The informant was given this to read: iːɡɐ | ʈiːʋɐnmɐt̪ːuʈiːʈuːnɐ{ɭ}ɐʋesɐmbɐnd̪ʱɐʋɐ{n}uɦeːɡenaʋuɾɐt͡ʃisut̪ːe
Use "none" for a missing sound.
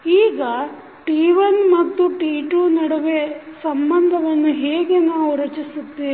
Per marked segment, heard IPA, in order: ɽ, nː

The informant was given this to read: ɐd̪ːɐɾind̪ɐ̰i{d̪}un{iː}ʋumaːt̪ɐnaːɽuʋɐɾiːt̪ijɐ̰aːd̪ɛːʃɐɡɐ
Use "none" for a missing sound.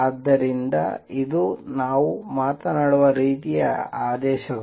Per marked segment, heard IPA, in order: d̪, aː

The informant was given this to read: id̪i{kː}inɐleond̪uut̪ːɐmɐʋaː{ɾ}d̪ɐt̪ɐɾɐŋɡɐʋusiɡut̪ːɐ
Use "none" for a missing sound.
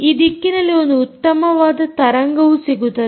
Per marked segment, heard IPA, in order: kː, none

